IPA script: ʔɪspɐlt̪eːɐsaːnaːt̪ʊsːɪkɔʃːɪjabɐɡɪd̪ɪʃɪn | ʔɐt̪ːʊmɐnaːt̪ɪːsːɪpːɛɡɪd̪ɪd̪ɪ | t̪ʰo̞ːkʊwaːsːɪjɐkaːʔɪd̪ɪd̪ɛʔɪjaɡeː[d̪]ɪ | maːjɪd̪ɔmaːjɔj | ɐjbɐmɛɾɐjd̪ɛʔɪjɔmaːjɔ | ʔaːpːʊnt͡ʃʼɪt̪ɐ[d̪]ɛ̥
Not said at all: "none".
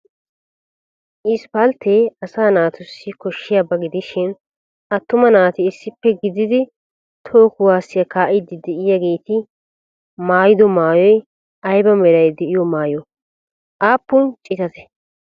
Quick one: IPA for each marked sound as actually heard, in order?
t̪, t̪

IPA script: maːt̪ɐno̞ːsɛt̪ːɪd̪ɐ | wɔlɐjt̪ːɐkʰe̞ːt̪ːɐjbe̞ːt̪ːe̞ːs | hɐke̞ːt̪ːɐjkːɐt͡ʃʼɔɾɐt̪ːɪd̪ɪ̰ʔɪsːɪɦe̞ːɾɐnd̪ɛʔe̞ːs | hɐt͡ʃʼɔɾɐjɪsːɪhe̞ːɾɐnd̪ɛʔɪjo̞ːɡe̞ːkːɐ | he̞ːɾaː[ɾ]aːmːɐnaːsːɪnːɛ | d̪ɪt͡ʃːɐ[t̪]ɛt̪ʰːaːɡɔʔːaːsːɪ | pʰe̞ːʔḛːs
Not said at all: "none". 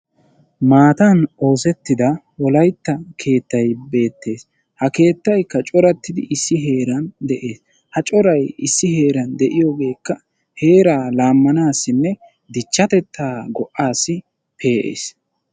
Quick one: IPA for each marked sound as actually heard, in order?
l, t̪

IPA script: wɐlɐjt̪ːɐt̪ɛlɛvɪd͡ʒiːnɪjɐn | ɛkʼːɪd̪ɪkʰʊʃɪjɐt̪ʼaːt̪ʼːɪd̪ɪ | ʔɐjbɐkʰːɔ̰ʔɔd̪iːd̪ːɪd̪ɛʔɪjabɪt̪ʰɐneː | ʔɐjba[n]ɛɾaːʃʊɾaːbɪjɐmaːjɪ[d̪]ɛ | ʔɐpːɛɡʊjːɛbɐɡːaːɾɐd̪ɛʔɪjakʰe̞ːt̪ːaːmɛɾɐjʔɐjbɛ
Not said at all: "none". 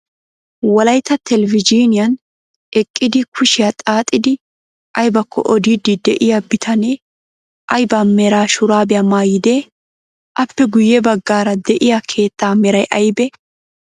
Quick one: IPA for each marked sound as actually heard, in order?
m, d̪

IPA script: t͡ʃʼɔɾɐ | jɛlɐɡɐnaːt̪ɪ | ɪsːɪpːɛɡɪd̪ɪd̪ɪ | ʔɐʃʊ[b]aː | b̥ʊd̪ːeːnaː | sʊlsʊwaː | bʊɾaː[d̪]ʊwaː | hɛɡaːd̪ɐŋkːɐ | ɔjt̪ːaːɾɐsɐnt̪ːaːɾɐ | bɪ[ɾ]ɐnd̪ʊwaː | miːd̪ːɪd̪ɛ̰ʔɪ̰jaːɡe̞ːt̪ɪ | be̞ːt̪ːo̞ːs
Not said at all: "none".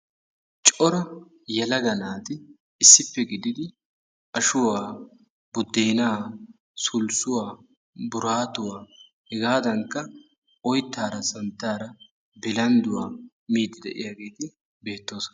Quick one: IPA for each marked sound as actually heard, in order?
w, t̪, l

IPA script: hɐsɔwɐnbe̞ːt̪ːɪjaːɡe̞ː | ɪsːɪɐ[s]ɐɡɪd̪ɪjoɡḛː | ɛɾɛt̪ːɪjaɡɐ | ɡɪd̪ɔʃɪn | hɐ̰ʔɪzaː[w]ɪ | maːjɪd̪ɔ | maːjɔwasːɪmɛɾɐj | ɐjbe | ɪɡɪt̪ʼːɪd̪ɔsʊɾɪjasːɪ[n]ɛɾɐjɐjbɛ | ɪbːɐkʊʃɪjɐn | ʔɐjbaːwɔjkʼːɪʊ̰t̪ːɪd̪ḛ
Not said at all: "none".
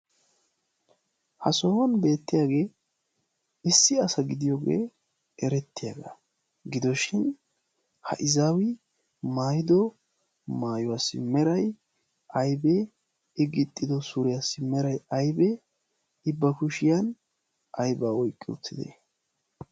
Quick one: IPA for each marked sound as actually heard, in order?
s, w, m

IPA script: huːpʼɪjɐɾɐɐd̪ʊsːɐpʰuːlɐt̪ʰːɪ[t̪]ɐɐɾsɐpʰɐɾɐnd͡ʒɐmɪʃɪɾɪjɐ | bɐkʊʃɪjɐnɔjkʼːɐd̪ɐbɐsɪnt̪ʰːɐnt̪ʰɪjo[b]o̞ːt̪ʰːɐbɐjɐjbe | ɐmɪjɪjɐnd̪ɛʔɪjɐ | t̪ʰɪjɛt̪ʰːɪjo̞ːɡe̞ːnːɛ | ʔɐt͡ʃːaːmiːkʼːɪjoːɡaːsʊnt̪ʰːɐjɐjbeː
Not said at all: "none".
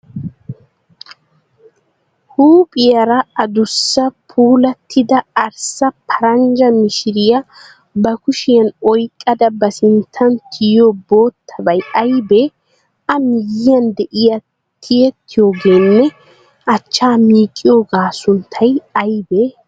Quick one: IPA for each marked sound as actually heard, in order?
d̪, b

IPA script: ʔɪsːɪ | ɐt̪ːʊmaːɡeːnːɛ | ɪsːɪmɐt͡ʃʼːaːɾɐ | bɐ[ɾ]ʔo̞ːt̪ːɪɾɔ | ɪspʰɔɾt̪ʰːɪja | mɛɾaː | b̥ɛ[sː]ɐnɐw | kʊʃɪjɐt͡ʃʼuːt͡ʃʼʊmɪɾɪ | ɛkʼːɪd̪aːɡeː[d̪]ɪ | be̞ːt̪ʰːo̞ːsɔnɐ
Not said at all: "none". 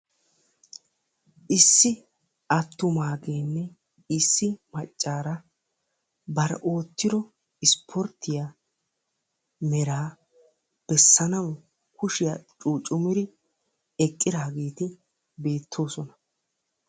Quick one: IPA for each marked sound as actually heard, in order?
ɾ, sː, t̪

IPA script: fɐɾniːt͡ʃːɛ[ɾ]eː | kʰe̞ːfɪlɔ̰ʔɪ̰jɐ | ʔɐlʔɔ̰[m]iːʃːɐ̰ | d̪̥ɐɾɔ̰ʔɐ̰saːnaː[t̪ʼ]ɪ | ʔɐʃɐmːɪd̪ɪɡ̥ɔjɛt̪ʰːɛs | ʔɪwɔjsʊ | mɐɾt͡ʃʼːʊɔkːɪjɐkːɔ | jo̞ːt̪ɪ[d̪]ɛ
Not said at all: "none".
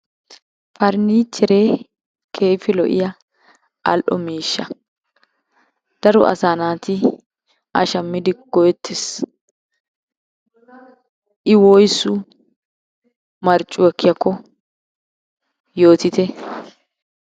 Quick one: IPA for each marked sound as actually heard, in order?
ɾ, m, t̪, t̪

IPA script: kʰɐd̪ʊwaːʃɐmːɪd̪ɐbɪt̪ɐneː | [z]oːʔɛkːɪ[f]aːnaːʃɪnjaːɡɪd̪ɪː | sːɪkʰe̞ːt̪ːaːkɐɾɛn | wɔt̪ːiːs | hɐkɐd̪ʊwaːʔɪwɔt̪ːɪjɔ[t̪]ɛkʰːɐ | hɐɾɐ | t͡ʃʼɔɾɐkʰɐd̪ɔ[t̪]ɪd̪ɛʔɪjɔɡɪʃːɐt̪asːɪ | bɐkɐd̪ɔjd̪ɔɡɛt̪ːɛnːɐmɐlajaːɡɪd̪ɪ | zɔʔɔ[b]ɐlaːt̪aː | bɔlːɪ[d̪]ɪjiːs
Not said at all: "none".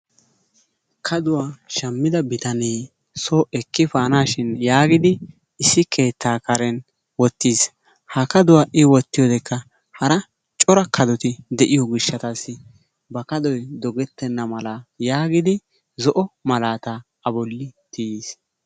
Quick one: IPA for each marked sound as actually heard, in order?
s, f, d̪, t̪, m, t̪

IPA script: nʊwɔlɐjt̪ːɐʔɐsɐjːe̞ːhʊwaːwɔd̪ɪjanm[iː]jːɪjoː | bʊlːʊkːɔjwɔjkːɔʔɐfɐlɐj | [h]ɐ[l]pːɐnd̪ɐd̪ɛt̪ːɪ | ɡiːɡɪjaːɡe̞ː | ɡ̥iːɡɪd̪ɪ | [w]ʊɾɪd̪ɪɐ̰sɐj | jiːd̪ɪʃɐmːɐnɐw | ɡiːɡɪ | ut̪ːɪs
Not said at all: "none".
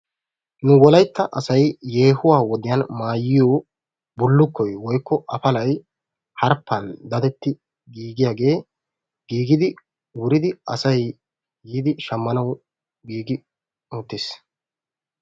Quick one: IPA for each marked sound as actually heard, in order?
aː, h, ɾ, w

